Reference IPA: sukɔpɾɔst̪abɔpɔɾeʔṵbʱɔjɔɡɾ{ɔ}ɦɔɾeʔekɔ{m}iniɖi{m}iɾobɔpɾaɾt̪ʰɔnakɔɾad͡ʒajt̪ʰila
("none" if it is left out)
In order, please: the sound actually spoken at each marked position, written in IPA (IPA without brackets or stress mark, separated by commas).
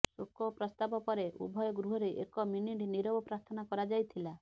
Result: u, m, n